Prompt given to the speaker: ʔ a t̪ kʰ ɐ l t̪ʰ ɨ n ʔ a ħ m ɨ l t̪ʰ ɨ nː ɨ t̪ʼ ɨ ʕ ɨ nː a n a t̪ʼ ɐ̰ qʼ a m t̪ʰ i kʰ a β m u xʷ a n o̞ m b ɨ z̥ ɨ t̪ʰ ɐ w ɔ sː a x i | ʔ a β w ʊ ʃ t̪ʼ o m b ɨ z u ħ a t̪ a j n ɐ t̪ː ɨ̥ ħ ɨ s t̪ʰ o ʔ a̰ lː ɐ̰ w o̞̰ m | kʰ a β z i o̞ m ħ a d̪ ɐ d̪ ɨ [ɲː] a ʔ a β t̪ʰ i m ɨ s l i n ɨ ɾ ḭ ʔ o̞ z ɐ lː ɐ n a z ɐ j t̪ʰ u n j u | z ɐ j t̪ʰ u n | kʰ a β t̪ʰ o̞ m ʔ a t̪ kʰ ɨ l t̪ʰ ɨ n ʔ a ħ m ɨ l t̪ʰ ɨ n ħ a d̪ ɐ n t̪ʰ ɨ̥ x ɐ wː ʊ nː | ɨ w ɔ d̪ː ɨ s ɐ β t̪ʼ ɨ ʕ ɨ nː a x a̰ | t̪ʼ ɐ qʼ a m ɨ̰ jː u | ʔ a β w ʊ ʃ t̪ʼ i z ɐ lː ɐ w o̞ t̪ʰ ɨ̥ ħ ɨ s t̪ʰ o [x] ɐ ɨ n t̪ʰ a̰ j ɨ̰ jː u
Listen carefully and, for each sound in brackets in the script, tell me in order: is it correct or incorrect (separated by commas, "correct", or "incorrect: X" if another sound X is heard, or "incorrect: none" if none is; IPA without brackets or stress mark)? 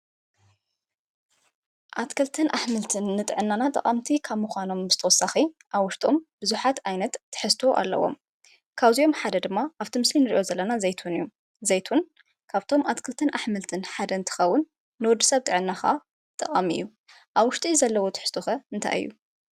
incorrect: mː, correct